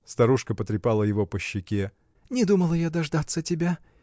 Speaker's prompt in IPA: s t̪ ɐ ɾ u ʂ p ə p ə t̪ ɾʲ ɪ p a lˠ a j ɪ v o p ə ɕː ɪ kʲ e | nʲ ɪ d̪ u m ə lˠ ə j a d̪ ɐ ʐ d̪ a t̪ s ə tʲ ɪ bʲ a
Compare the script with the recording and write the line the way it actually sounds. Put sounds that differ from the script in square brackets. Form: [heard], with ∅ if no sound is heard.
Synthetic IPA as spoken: s t̪ ɐ ɾ u ʂ [k] ə p ə t̪ ɾʲ ɪ p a lˠ [ə] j ɪ v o p ə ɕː ɪ kʲ e | nʲ ɪ d̪ u m ə lˠ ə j a d̪ ɐ ʐ d̪ a t̪ s ə tʲ ɪ bʲ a